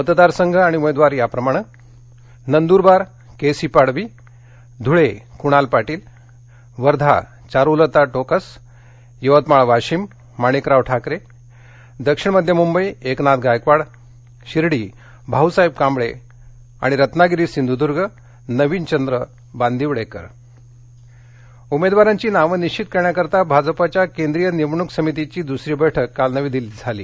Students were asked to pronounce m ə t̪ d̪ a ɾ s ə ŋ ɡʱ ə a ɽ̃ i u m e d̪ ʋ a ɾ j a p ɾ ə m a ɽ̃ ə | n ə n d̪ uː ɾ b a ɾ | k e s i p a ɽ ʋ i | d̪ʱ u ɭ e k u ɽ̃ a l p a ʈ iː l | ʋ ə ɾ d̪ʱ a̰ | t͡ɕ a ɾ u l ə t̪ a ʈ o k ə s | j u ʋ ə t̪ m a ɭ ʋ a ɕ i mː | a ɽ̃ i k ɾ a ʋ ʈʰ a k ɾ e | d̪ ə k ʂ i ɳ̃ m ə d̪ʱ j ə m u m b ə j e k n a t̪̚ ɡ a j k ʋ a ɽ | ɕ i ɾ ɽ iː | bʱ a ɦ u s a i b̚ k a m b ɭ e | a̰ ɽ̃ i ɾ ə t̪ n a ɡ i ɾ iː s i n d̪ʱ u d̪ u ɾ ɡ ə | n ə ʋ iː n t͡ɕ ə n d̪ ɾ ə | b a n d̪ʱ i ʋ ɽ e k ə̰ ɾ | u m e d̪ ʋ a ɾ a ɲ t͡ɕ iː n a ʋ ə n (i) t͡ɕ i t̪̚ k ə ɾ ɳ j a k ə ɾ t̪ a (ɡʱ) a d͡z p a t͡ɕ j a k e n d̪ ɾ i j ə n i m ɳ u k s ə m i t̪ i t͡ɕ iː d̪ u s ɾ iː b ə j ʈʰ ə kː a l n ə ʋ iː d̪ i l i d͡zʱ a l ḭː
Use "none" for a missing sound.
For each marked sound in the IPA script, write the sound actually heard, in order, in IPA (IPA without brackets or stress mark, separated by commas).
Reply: i, bʱ